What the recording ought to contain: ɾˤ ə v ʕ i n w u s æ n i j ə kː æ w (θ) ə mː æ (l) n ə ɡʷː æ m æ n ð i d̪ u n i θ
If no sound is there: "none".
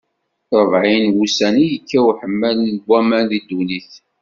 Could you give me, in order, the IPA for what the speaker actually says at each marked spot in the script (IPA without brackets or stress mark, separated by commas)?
ħ, l